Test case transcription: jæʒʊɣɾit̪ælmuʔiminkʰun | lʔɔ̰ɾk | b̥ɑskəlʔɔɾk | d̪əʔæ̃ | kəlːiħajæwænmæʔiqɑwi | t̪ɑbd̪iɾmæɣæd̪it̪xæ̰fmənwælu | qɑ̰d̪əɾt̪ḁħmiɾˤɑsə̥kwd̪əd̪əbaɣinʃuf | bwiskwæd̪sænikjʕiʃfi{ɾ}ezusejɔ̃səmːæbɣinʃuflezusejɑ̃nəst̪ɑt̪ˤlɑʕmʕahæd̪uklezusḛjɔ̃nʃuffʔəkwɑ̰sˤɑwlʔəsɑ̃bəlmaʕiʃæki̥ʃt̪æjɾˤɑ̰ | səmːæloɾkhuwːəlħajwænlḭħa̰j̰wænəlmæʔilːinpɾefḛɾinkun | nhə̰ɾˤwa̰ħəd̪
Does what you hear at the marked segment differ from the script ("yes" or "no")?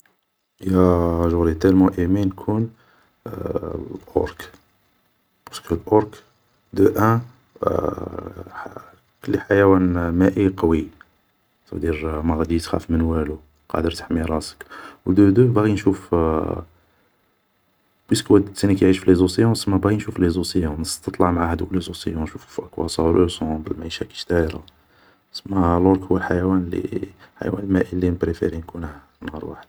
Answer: yes